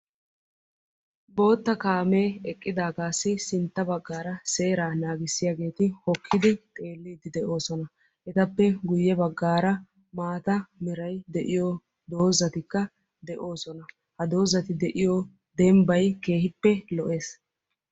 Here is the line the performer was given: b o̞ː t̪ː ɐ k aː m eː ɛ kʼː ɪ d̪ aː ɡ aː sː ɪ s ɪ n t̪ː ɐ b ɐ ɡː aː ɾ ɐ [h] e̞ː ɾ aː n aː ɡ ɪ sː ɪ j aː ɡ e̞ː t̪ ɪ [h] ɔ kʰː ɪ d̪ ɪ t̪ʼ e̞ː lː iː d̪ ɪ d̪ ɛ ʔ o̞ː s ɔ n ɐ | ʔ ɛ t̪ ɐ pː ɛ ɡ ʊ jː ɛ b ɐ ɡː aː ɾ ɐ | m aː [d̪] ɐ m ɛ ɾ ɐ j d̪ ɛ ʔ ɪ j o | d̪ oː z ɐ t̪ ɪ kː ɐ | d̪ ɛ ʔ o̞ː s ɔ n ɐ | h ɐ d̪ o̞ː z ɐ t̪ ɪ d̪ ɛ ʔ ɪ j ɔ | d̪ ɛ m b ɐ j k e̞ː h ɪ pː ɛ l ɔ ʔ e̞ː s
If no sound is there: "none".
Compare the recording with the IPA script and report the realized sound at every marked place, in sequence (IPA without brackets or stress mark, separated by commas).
s, h, t̪